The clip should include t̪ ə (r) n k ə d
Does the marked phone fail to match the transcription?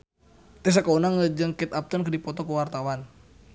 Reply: yes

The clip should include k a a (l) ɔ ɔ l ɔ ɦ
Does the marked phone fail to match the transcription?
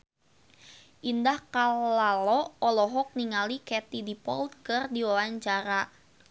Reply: no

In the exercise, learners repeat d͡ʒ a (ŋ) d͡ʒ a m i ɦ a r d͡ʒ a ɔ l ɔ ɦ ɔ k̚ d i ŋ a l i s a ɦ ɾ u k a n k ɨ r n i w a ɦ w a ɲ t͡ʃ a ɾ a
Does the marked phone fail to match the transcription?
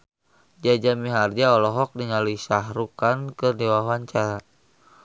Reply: yes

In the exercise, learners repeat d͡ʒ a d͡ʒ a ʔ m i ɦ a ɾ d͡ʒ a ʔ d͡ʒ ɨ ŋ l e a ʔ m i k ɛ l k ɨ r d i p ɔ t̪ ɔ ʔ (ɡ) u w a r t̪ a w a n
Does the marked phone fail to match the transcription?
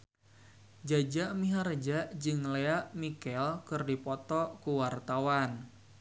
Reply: yes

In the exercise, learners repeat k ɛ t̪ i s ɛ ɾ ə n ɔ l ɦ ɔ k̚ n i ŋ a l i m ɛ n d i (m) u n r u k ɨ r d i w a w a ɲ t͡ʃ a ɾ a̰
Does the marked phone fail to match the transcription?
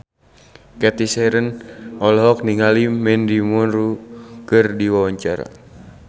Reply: no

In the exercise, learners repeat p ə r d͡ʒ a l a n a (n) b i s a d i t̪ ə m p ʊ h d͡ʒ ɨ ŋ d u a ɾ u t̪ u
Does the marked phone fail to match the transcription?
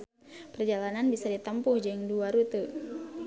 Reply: no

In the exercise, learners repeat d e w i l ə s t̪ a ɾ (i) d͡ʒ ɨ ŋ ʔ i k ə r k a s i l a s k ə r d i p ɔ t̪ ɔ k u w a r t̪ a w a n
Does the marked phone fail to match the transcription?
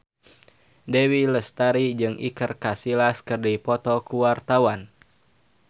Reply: no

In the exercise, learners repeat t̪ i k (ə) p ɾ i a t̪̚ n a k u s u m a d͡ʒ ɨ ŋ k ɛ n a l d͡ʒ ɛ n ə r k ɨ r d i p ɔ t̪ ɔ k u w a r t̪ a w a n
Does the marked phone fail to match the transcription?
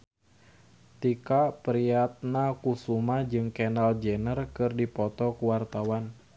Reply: yes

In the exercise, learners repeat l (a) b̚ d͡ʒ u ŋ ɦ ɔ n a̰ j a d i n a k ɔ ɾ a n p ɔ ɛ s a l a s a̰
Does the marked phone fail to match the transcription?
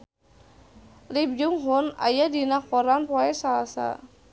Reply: yes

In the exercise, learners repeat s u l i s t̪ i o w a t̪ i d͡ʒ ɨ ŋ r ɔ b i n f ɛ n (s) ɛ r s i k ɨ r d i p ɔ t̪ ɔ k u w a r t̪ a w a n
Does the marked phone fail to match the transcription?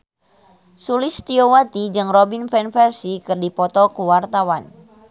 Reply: yes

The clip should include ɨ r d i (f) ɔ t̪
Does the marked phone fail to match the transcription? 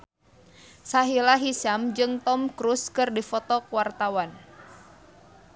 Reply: no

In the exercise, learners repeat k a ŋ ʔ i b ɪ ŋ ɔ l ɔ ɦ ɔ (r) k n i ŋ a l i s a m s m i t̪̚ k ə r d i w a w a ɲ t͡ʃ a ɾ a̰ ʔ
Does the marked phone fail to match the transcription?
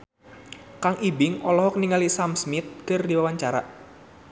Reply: yes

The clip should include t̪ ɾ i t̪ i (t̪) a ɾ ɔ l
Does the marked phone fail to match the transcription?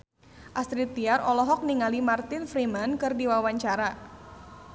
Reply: yes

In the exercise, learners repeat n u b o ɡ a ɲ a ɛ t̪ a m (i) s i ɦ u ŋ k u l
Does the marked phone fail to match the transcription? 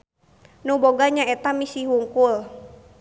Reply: no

